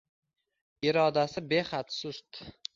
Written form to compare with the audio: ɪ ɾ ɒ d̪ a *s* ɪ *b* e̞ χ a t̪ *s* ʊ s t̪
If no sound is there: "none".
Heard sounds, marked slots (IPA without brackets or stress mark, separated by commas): s, b, s